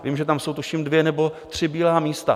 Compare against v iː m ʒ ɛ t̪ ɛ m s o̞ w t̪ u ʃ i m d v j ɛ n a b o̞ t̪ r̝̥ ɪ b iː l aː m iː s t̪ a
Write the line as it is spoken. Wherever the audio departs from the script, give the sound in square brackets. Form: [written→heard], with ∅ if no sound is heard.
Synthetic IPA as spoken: v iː m ʒ ɛ t̪ [ɛ→a] m s o̞ w t̪ u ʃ i m d v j ɛ n [a→ɛ] b o̞ t̪ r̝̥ ɪ b iː l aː m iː s t̪ a

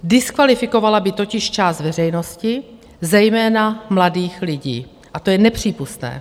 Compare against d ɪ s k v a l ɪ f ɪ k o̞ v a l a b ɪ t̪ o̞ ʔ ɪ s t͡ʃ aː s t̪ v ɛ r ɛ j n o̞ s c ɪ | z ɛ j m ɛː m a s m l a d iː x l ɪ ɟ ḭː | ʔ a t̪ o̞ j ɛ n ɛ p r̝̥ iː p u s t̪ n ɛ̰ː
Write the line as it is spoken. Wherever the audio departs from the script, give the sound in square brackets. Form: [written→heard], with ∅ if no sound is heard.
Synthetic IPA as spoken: d ɪ s k v a l ɪ f ɪ k o̞ v a l a b ɪ t̪ o̞ [ʔ→c] ɪ [s→ʃ] t͡ʃ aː s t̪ v ɛ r ɛ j n o̞ s c ɪ | z ɛ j m ɛː [m→n] a [s→∅] m l a d iː x l ɪ ɟ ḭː | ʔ a t̪ o̞ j ɛ n ɛ p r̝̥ iː p u s t̪ n ɛ̰ː

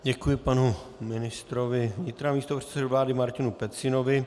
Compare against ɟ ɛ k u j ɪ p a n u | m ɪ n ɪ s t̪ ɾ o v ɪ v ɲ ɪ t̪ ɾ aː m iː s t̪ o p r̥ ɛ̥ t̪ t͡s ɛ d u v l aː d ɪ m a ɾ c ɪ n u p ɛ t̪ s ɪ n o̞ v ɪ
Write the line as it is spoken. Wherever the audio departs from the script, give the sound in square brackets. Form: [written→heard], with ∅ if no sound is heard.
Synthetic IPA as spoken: ɟ ɛ k u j ɪ p a n u | m ɪ n ɪ s t̪ ɾ o v ɪ v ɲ ɪ t̪ ɾ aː m iː s t̪ o p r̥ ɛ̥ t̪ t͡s ɛ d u v l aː d ɪ m a ɾ c ɪ n u p ɛ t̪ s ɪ n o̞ v ɪ

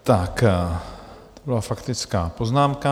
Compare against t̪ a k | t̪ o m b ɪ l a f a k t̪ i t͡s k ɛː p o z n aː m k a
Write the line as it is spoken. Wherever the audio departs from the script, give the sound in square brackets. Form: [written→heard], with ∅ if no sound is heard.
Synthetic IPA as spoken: t̪ a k | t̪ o [m→∅] b ɪ l a f a k t̪ [i→ɪ] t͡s k [ɛː→aː] p o z n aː m k a

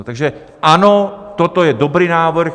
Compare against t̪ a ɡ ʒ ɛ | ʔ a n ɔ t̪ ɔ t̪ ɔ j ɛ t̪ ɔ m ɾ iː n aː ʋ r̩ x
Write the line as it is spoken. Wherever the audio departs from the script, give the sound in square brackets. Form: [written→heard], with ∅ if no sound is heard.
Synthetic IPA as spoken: t̪ a ɡ ʒ ɛ | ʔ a n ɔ t̪ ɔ t̪ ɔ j ɛ [t̪→d̪] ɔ [m→b] ɾ iː n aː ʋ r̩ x

